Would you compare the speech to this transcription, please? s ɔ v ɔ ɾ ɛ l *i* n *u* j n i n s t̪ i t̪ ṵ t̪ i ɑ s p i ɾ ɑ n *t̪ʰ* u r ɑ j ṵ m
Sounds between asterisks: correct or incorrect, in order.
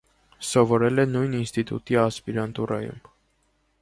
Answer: incorrect, correct, incorrect

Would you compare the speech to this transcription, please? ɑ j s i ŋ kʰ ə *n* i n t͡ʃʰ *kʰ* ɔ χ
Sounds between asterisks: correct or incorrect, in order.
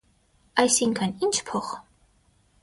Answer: correct, incorrect

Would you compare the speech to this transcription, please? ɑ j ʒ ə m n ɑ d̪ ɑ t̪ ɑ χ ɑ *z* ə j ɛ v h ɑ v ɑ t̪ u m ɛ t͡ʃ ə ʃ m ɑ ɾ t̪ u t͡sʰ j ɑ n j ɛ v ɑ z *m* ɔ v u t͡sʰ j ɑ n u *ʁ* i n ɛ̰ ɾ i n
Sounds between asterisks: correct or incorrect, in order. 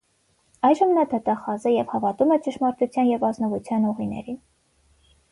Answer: correct, incorrect, correct

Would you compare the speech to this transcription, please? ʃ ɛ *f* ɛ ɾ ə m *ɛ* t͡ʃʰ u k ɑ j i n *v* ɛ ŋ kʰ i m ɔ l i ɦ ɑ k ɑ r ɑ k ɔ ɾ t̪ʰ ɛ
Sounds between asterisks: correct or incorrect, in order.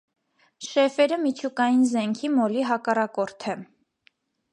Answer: correct, incorrect, incorrect

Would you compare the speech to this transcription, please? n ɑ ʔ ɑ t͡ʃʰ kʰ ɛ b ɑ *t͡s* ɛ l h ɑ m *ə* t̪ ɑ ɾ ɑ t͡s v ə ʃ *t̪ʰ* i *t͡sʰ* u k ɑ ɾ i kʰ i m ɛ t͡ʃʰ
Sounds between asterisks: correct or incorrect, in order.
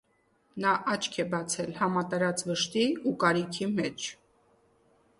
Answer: incorrect, incorrect, incorrect, incorrect

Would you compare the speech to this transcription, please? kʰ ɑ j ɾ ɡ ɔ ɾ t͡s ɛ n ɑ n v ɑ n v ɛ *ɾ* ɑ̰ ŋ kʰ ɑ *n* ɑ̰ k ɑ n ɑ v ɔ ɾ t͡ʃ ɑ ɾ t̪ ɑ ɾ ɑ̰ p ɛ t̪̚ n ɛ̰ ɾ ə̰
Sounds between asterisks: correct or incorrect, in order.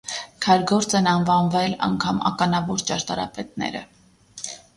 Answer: incorrect, incorrect

